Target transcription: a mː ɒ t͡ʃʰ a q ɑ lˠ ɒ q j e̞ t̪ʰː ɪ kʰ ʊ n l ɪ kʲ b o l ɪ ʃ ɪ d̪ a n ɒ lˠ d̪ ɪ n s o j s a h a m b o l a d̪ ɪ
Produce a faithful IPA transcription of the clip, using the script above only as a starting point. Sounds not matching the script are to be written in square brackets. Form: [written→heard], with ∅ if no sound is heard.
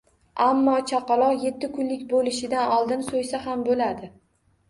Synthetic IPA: a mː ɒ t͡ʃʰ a q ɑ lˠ ɒ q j e̞ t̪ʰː ɪ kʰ ʊ n l ɪ kʲ b o l ɪ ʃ ɪ d̪ a n ɒ lˠ d̪ ɪ n s o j s a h a m b o l a d̪ ɪ